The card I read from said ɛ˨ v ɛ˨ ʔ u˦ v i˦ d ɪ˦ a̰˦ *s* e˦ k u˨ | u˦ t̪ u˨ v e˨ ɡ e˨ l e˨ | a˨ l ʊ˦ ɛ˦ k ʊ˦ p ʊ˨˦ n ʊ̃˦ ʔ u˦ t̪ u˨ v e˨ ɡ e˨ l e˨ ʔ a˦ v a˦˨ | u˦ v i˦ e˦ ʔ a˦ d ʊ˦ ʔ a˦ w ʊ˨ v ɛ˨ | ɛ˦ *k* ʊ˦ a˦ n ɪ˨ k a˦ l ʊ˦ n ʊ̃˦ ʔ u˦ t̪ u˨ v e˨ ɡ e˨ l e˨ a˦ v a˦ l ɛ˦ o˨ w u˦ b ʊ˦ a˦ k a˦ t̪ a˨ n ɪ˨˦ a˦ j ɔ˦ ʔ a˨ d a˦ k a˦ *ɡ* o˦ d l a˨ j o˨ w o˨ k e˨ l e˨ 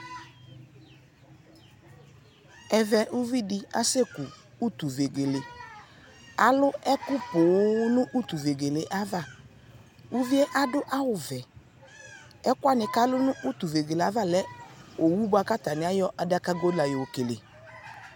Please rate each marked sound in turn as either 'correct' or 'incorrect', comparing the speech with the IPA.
correct, correct, correct

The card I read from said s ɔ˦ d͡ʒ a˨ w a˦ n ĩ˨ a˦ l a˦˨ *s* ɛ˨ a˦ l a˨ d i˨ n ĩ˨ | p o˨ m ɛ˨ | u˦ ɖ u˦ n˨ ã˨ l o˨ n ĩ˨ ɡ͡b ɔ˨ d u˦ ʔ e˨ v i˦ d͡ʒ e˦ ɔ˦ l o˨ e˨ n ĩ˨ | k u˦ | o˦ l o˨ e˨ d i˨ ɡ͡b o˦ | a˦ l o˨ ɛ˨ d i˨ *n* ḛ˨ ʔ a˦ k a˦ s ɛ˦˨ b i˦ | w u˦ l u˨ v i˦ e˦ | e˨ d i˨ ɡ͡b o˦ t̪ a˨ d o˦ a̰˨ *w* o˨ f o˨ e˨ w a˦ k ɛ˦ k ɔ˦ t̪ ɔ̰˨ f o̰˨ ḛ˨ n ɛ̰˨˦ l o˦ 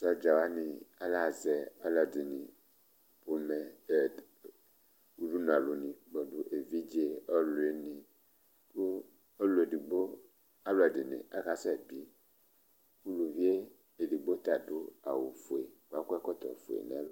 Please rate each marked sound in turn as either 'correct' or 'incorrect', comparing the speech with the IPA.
incorrect: z, correct, correct

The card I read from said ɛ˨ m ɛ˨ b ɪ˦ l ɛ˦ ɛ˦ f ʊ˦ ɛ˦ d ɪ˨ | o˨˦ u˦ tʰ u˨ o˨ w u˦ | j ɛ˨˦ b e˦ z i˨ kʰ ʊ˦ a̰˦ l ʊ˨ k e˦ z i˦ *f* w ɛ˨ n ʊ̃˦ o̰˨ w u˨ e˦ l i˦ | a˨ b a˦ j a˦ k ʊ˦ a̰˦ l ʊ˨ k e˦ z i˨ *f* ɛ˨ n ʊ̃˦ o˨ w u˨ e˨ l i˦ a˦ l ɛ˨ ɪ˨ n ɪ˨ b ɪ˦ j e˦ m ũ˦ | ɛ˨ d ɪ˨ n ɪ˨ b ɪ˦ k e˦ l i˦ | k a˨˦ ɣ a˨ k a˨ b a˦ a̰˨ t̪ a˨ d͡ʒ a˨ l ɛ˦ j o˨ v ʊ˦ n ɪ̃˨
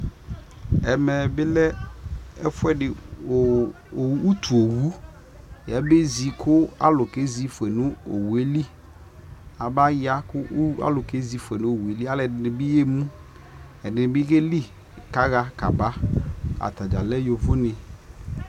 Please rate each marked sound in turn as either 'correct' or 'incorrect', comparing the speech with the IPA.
correct, correct

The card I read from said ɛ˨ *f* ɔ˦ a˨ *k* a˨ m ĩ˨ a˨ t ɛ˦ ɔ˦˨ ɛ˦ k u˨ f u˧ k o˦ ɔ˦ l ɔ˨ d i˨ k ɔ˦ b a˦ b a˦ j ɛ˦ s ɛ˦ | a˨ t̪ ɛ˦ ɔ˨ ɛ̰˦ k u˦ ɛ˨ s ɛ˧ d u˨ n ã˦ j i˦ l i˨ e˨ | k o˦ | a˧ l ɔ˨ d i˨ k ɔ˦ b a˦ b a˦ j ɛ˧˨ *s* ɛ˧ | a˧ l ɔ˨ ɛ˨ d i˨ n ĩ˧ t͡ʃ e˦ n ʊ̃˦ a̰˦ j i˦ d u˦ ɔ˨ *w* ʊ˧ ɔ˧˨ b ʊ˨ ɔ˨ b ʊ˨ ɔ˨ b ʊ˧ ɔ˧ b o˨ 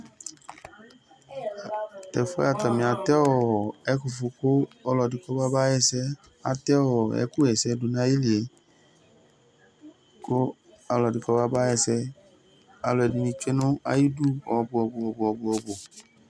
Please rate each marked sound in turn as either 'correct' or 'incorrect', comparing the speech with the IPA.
correct, incorrect: t, correct, incorrect: b

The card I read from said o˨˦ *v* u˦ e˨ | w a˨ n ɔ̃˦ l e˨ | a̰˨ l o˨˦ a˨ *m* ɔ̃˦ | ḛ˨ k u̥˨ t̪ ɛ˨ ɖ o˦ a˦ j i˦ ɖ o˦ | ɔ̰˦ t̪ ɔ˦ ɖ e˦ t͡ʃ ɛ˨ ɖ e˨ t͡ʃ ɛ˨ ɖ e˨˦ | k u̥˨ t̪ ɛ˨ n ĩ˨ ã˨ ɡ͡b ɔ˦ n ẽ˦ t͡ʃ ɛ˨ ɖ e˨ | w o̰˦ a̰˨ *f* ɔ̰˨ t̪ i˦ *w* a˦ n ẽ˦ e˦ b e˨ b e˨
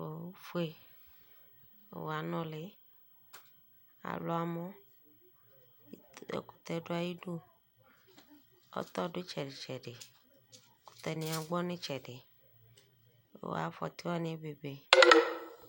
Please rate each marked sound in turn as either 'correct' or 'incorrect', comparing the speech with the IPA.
incorrect: f, correct, correct, correct

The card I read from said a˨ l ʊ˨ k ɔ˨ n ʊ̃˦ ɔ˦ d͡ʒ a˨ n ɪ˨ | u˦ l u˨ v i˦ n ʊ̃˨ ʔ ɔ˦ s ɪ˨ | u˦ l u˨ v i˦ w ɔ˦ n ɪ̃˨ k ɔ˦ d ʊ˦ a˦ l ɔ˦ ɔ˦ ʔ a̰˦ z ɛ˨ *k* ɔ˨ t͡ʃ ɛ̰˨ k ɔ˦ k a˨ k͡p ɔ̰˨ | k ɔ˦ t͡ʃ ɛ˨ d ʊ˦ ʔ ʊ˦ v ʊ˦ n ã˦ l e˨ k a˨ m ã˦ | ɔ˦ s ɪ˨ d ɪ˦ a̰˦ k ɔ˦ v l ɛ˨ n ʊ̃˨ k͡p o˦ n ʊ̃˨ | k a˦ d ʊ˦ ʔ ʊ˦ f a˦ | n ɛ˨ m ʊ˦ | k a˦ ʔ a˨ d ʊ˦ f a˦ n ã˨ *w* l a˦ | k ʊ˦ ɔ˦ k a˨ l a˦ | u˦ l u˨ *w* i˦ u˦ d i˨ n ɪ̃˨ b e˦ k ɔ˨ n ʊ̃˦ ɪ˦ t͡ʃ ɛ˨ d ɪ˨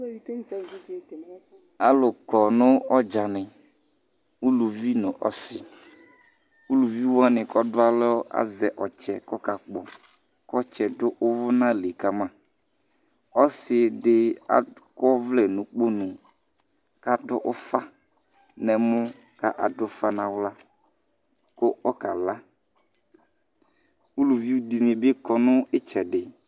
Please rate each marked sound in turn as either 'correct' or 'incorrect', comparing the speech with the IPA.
incorrect: ʔ, correct, incorrect: v

